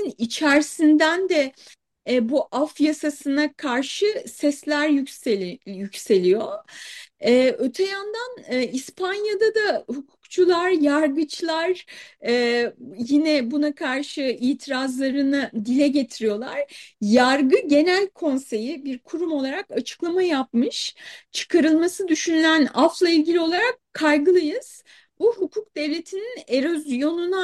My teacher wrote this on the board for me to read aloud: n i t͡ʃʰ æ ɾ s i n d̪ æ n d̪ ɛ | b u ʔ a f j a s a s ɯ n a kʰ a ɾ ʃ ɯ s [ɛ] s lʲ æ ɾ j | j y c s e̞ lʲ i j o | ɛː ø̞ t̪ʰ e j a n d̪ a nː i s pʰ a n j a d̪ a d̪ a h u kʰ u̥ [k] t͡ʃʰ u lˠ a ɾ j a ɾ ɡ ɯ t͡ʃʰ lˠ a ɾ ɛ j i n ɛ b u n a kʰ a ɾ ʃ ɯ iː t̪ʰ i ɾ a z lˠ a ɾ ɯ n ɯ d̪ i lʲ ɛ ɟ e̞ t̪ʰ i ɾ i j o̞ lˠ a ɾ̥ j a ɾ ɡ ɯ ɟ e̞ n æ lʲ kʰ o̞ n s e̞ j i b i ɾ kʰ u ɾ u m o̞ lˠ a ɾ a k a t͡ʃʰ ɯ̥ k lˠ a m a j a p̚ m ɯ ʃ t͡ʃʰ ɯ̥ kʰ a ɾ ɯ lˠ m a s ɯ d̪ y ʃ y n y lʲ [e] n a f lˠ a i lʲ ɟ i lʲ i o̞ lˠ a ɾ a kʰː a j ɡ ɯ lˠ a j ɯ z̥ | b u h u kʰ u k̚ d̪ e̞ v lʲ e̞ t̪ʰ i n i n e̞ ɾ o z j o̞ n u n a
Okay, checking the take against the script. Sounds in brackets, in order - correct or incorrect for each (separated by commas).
correct, correct, incorrect